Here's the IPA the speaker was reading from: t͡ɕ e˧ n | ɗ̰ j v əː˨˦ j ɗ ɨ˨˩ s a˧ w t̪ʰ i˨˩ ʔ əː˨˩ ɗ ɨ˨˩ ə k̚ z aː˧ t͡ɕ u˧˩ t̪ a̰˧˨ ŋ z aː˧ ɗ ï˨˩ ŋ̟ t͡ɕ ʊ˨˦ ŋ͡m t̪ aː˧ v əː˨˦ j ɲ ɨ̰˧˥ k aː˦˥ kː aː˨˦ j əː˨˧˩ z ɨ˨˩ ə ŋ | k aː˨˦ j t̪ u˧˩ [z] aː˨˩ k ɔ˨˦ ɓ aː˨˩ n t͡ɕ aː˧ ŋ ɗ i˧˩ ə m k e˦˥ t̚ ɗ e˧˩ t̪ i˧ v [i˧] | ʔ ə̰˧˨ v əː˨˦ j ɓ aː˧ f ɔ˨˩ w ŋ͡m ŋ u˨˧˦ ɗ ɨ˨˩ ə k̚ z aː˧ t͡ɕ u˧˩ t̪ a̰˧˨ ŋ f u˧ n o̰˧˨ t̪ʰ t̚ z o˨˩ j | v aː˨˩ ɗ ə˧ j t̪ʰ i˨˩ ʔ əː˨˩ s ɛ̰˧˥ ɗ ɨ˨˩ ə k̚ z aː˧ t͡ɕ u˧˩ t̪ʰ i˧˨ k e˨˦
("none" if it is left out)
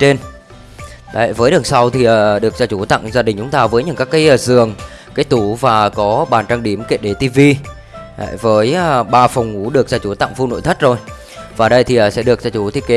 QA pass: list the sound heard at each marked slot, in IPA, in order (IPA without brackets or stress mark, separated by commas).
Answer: v, i˧